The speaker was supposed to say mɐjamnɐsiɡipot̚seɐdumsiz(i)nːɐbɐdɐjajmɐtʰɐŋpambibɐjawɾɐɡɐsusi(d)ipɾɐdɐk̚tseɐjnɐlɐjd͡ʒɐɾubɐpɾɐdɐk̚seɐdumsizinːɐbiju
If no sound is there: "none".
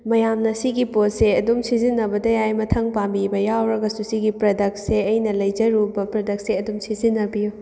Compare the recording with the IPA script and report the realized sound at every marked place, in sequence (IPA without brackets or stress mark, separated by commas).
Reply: i, ɡ